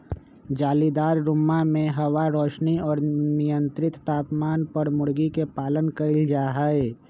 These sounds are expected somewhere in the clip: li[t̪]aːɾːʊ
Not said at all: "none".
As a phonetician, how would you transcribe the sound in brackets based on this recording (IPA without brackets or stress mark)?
d̪